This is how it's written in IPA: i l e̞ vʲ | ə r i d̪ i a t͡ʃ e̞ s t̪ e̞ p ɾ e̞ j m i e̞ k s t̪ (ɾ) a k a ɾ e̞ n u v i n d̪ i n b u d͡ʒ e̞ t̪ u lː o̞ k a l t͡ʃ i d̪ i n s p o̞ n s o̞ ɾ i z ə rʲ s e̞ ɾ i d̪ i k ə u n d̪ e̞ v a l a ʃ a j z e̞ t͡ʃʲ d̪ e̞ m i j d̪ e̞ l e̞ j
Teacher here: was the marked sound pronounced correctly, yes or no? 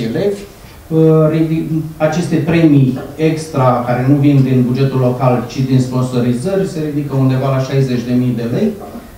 yes